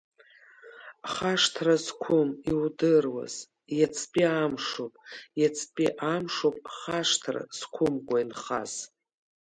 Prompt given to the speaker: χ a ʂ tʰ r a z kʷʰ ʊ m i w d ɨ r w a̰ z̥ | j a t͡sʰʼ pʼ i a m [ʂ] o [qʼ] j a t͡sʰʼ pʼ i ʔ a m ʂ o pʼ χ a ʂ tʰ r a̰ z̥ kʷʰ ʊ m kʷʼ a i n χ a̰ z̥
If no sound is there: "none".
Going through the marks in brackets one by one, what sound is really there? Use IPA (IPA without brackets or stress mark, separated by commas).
ʂ, pʼ